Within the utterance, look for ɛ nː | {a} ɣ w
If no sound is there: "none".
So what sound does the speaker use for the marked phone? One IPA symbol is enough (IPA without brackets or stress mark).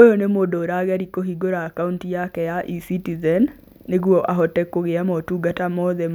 e